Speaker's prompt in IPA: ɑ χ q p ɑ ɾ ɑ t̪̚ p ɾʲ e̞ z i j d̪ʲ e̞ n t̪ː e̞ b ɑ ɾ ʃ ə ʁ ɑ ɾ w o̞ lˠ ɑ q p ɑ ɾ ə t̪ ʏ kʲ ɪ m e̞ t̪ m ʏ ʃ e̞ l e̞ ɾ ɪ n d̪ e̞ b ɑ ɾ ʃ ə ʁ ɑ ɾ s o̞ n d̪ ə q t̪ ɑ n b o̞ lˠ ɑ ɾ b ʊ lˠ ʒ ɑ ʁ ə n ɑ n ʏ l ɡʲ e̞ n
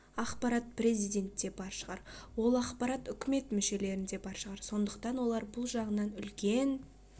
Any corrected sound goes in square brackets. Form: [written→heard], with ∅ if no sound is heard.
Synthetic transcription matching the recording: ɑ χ q p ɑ ɾ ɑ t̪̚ p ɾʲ e̞ z i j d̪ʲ e̞ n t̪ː e̞ b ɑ ɾ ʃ ə ʁ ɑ ɾ w o̞ lˠ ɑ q p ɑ ɾ [ə→ɑ] t̪ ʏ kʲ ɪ m e̞ t̪ m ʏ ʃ e̞ l e̞ ɾ ɪ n d̪ e̞ b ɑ ɾ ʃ ə ʁ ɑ ɾ s o̞ n d̪ ə q t̪ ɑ n [b→w] o̞ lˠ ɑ ɾ b ʊ lˠ ʒ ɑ ʁ ə n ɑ n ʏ l [ɡʲ→kʲ] e̞ n